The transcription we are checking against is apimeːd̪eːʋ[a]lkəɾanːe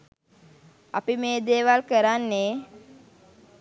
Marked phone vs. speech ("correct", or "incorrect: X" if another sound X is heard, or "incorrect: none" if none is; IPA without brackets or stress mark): correct